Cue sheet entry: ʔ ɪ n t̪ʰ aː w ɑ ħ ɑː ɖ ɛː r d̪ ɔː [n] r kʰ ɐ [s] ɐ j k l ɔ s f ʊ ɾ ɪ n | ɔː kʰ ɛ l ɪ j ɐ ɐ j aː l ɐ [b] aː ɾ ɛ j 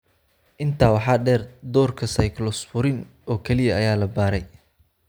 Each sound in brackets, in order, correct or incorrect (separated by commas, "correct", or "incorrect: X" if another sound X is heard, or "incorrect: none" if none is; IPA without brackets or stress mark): incorrect: none, correct, correct